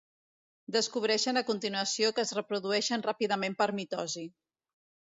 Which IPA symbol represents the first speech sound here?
d̪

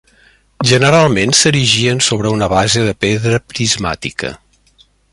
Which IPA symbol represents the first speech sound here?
ʒ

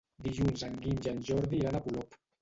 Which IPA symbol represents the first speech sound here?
d̪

